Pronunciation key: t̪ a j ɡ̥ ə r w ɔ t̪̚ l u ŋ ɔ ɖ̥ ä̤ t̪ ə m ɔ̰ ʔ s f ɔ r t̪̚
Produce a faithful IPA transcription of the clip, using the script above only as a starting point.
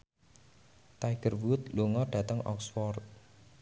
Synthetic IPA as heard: t̪ a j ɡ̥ ə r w u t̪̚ l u ŋ ɔ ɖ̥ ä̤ t̪ ə ŋ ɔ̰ k s f ɔ r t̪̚